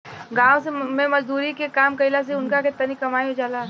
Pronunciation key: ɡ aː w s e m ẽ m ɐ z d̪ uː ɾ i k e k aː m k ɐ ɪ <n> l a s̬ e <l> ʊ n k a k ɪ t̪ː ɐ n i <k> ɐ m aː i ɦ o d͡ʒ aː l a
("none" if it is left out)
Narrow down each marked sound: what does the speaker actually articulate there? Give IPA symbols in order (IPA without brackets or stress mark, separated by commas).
none, none, k